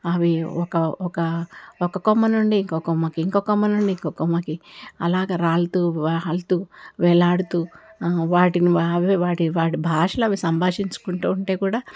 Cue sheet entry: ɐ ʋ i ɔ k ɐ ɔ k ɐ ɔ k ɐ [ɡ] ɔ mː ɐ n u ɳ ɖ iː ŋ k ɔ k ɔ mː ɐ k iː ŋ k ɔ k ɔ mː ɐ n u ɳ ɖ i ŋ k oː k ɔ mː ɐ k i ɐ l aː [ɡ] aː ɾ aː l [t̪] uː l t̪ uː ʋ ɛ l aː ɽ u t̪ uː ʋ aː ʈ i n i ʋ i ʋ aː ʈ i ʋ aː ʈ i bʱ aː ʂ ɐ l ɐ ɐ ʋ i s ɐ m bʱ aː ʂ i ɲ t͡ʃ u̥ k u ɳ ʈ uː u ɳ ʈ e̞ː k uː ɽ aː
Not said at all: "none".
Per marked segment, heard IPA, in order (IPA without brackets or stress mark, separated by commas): k, ɡ, t̪